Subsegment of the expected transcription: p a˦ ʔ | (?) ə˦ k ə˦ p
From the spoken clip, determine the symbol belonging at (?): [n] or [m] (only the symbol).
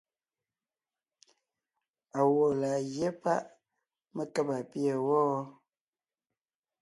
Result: m